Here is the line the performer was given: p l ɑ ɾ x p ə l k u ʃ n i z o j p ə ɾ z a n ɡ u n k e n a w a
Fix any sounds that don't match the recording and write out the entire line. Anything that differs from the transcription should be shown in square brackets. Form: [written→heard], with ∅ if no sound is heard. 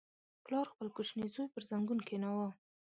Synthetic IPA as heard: p l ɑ ɾ x p ə l k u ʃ n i z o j p ə ɾ z a [n→ŋ] ɡ u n k e n a w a